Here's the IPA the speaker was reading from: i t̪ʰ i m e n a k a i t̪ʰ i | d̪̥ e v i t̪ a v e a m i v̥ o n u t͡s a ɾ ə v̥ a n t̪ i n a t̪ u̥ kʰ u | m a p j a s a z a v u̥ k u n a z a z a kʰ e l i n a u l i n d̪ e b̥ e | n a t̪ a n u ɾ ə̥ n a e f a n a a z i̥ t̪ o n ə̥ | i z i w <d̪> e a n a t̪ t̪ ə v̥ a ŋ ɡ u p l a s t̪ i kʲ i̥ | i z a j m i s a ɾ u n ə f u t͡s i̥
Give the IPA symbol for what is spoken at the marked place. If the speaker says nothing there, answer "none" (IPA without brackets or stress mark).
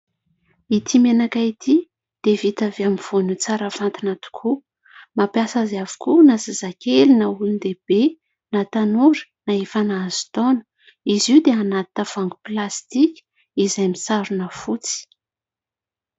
d̪